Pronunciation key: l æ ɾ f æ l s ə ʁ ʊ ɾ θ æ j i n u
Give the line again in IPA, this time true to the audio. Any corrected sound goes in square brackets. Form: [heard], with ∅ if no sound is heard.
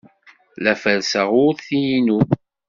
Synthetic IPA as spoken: l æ [∅] f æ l s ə ʁ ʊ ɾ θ [i] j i n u